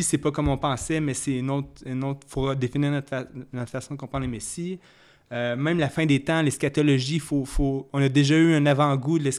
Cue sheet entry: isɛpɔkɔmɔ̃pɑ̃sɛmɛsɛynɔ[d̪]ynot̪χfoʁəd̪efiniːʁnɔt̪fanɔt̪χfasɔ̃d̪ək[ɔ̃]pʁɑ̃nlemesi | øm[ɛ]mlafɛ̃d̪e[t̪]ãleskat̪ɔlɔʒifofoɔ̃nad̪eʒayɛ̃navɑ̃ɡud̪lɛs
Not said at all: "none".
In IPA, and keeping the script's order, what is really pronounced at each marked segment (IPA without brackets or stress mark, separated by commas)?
t̪, ɔ̃, ɛ̃, t̪